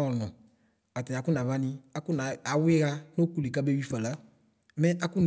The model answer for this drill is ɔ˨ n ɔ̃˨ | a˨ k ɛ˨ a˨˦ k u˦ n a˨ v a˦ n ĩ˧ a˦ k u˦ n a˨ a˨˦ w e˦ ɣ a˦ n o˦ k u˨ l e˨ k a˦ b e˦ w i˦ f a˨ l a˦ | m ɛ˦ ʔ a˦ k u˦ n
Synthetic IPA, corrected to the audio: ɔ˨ n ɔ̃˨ | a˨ t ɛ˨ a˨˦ k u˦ n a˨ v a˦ n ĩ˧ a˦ k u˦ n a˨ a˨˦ w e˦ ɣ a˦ n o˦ k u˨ l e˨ k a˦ b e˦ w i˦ f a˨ l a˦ | m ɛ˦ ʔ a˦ k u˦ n

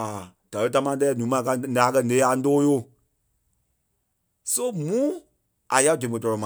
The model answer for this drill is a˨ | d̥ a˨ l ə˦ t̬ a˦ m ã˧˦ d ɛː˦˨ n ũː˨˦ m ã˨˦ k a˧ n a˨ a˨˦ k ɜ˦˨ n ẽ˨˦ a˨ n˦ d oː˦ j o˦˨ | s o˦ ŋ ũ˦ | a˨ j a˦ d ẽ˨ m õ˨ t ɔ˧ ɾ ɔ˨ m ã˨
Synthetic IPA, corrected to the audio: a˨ | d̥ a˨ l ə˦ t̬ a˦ m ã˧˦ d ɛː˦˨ n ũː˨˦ m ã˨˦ k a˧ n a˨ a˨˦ k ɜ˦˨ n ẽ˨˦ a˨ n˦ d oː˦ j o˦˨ | s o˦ m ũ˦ | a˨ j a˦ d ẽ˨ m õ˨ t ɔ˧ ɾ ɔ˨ m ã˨

